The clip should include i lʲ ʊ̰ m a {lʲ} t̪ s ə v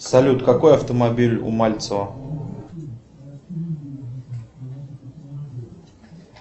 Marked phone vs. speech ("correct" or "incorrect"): correct